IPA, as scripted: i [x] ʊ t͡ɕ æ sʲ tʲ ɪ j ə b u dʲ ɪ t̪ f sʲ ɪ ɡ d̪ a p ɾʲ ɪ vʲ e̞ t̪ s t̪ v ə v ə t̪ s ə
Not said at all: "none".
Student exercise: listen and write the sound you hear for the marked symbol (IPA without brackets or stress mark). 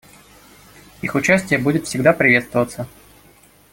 x